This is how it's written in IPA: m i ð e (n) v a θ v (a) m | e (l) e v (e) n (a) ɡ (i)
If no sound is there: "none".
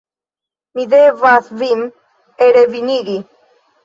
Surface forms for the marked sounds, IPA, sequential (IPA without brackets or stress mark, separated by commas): none, i, ɾ, i, i, i